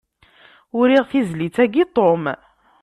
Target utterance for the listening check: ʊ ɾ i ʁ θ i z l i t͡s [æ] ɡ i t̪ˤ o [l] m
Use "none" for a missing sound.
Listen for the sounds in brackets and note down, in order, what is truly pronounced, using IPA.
æ, none

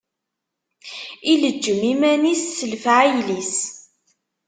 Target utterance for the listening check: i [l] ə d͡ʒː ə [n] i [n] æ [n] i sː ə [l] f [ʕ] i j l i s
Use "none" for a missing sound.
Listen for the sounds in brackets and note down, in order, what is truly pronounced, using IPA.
l, m, m, n, l, ʕ

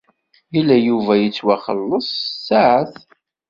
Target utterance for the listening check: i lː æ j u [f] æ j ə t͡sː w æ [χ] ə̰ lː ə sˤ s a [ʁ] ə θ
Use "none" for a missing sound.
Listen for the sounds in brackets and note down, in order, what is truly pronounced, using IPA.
v, χ, ʕ

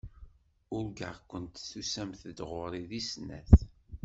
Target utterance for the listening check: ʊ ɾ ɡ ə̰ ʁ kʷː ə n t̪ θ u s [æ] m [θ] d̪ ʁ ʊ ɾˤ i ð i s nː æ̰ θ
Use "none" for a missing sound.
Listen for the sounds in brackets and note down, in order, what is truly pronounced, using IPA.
æ, θ

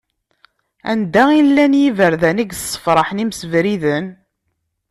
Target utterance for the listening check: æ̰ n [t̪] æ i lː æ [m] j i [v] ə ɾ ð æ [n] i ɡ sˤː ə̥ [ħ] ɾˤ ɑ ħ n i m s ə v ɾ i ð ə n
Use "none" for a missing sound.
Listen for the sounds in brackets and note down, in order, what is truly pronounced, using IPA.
d̪, n, v, n, f

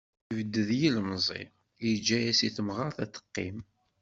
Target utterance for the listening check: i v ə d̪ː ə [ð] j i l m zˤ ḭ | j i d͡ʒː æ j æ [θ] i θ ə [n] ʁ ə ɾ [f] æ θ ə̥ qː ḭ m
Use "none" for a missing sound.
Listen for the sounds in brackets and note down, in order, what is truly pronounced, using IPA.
ð, s, m, θ

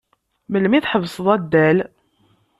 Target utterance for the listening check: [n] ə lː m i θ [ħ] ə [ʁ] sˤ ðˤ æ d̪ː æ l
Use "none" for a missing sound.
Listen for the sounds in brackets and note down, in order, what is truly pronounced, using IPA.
m, ħ, v

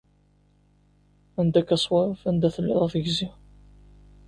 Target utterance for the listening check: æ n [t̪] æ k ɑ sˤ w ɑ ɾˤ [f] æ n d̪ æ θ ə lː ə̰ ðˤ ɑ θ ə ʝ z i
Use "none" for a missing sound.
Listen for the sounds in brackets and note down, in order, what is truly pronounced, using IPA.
d̪, f

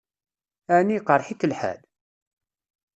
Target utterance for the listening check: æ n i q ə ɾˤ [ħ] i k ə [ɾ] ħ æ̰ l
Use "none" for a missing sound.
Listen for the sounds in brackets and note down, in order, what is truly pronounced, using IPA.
ħ, l

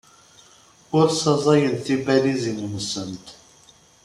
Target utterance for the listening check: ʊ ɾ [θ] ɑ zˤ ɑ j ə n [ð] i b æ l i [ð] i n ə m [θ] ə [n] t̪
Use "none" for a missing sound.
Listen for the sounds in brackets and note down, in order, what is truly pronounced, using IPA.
s, θ, z, s, n

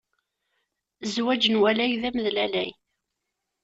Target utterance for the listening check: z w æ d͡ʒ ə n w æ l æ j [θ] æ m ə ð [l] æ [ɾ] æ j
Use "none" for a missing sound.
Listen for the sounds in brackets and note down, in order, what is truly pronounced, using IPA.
ð, l, l

